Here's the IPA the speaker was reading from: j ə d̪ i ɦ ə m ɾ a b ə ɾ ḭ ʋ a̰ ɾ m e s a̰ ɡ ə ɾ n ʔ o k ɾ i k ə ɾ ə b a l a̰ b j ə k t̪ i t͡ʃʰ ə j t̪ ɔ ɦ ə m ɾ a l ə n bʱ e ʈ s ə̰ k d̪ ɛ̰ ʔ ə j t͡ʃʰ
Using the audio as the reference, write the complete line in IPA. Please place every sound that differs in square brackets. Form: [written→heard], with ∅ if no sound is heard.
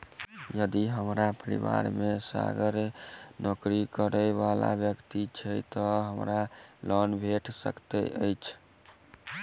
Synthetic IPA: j ə d̪ i ɦ ə m ɾ a [b→p] ə ɾ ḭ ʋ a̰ ɾ m e s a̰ ɡ ə ɾ n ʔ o k ɾ i k ə ɾ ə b a l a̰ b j ə k t̪ i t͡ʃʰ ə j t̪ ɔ ɦ ə m ɾ a l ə n bʱ e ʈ s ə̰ k [d̪→t̪] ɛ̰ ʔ ə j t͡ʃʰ

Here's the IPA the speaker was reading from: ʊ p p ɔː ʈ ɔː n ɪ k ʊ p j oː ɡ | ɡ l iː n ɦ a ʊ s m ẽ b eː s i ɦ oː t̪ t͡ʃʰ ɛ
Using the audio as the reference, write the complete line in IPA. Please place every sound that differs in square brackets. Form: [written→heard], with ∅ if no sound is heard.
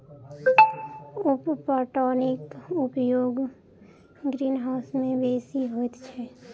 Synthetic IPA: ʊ p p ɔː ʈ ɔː n ɪ k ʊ p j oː ɡ | ɡ [l→ɾ] iː n ɦ a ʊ s m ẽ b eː s i ɦ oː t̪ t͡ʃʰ ɛ

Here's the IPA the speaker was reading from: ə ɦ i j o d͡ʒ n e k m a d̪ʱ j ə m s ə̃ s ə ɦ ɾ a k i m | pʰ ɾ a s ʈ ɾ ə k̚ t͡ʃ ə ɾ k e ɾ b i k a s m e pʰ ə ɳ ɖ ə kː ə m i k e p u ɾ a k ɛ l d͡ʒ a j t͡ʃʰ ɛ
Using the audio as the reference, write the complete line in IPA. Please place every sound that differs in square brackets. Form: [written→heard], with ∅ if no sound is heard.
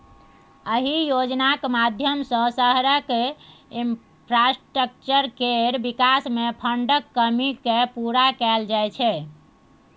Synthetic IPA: ə ɦ i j o d͡ʒ n [e→a] k m a d̪ʱ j ə m s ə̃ s ə ɦ ɾ [a→ə] k i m | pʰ ɾ a s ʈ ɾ ə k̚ t͡ʃ ə ɾ k e ɾ b i k a s m e pʰ ə ɳ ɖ ə kː ə m i k e p u ɾ a k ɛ l d͡ʒ a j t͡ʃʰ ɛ

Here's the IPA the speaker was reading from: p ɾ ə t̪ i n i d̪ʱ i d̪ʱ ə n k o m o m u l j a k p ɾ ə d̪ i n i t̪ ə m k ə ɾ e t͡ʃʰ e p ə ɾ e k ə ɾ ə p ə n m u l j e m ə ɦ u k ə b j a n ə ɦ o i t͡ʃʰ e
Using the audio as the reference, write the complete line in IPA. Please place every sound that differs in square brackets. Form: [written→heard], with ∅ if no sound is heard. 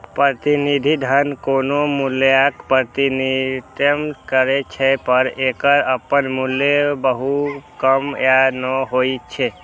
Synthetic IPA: p ɾ ə t̪ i n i d̪ʱ i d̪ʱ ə n k o [m→n] o m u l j a k p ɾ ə [d̪→t̪] i n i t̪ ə m k ə ɾ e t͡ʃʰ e p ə ɾ e k ə ɾ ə p ə n m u l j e [m→b] ə ɦ u k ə [b→m] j a n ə ɦ o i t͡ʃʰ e

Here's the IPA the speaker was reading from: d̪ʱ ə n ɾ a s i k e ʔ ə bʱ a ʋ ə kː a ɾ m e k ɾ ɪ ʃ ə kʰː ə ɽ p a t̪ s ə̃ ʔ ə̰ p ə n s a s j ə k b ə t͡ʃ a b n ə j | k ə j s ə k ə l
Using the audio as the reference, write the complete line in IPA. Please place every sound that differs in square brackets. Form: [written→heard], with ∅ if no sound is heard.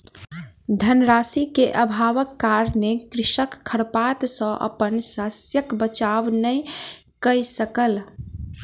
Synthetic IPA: d̪ʱ ə n ɾ a s i k e ʔ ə bʱ a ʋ ə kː a ɾ [m→n] e k ɾ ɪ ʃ ə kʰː ə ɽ p a t̪ s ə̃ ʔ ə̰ p ə n s a s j ə k b ə t͡ʃ a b n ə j | k ə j s ə k ə l

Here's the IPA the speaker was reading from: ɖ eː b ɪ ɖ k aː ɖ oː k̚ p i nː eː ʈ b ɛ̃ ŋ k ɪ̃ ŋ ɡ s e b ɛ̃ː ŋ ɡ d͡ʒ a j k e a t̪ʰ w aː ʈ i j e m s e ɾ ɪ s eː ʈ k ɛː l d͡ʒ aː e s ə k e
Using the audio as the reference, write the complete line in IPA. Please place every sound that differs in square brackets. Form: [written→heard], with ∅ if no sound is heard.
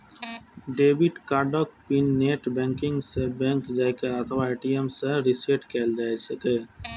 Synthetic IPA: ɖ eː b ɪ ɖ k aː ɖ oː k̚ p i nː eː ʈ b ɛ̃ ŋ k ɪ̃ ŋ ɡ s e b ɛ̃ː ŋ [ɡ→k] d͡ʒ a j k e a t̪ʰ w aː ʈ i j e m s e ɾ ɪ s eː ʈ k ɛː l d͡ʒ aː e s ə k e

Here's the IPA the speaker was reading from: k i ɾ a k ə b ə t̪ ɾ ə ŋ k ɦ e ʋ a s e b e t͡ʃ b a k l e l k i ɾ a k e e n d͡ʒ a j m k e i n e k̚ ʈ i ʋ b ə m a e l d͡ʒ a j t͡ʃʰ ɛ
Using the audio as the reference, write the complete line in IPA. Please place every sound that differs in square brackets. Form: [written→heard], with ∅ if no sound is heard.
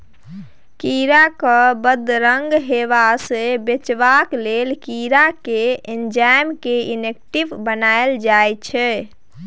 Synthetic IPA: k i ɾ a k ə b ə [t̪→d̪] ɾ ə ŋ [k→ɡ] ɦ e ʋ a s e b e t͡ʃ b a k l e l k i ɾ a k e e n d͡ʒ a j m k e i n e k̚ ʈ i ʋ b ə [m→n] a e l d͡ʒ a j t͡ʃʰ ɛ

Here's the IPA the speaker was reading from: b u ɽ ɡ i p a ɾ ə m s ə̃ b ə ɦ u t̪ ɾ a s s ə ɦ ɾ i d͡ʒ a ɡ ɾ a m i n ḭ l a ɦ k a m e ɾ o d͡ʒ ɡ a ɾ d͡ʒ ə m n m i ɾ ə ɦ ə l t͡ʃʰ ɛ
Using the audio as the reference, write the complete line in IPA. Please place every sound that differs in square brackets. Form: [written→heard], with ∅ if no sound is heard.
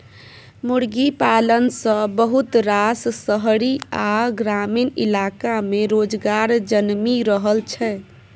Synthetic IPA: [b→m] u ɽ ɡ i p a [ɾ→l] ə [m→n] s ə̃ b ə ɦ u t̪ ɾ a s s ə ɦ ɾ i [d͡ʒ→∅] a ɡ ɾ a m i n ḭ l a [ɦ→∅] k a m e ɾ o d͡ʒ ɡ a ɾ d͡ʒ ə [m→∅] n m i ɾ ə ɦ ə l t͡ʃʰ ɛ

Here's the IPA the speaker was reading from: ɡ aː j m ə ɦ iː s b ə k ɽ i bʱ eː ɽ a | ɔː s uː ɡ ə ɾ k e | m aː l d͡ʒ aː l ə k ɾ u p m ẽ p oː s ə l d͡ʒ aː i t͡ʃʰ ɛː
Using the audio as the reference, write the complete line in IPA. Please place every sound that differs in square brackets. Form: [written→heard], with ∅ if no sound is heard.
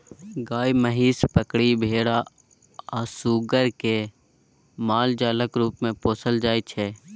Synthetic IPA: ɡ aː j m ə ɦ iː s [b→p] ə k ɽ i bʱ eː ɽ a | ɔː s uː ɡ ə ɾ k e | m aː l d͡ʒ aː l ə k ɾ [u→uː] p m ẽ p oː s ə l d͡ʒ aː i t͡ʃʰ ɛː

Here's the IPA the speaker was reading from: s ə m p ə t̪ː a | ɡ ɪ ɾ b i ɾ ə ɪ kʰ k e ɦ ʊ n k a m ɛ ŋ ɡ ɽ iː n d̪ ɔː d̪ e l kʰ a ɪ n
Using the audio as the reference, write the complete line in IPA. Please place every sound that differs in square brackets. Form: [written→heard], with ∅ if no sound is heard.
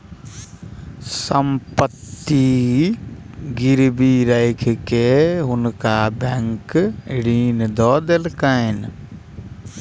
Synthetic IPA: s ə m p ə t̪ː [a→i] | ɡ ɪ ɾ b i ɾ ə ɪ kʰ k e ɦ ʊ n k a [m→b] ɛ ŋ [ɡ→k] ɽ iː n d̪ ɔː d̪ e l [kʰ→k] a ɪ n

